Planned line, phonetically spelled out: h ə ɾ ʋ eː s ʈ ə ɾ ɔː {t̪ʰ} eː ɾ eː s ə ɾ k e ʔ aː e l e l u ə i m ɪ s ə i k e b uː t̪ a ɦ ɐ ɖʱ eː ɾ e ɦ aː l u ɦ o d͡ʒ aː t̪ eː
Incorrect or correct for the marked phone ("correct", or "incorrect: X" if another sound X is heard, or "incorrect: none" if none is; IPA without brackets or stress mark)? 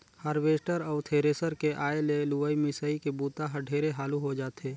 correct